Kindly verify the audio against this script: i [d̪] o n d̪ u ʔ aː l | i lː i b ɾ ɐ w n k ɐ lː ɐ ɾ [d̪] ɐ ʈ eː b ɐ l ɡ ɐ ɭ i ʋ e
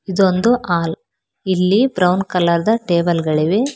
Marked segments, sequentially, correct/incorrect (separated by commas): correct, correct